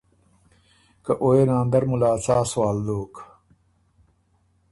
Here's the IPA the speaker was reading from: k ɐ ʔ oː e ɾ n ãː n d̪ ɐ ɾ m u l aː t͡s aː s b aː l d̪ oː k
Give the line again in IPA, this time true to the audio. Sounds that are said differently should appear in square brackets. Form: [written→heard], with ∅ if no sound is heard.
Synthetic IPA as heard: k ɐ ʔ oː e [ɾ→∅] n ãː n d̪ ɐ ɾ m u l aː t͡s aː s [b→w] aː l d̪ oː k